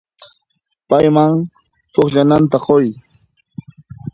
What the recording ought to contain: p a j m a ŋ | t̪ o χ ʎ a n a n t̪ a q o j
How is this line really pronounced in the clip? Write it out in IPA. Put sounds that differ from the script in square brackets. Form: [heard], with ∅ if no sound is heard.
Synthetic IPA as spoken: p a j m a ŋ | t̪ o χ ʎ a n a n t̪ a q o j